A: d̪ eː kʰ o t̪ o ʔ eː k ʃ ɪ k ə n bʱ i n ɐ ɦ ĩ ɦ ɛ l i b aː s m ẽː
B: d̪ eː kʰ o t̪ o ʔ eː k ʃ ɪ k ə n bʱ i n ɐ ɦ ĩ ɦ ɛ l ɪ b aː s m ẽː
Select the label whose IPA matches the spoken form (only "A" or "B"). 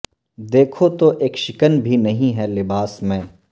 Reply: B